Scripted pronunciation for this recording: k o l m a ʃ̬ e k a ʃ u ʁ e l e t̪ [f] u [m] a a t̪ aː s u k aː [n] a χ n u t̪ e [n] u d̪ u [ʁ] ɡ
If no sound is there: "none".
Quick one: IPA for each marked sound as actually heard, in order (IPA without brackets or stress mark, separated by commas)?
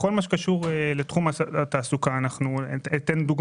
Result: χ, m, n, n, none